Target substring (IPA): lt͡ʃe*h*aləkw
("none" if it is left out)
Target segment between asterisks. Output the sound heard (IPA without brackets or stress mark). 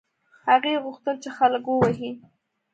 x